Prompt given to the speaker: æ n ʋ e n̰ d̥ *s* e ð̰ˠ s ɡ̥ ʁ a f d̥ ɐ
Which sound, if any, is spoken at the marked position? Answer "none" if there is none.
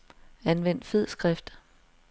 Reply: f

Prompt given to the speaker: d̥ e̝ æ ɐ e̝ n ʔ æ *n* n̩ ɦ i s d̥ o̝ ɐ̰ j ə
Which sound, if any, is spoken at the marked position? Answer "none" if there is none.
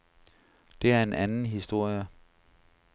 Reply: n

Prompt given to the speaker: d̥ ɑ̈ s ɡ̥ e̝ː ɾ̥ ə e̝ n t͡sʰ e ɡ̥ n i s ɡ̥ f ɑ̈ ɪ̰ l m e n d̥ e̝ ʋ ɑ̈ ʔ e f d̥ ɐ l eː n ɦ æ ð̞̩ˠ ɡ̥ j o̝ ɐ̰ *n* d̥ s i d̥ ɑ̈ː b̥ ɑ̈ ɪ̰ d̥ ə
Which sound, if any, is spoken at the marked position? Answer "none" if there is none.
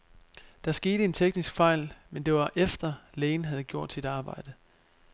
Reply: none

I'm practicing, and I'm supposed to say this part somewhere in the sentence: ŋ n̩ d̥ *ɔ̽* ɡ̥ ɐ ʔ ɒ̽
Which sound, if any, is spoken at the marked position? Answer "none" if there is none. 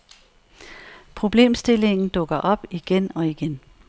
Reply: ɔ̽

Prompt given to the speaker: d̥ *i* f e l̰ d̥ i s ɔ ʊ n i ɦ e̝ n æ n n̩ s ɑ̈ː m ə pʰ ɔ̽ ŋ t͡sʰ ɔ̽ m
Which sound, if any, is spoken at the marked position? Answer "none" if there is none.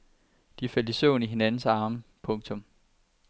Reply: i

